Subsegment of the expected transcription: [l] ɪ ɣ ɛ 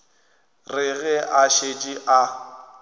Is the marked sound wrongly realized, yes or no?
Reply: yes